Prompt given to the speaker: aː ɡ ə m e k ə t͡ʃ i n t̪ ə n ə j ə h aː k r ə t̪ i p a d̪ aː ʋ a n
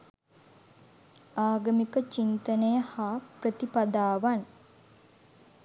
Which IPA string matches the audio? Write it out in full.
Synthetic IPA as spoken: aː ɡ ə m i k ə t͡ʃ i n t̪ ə n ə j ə h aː p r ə t̪ i p a d̪ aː ʋ a n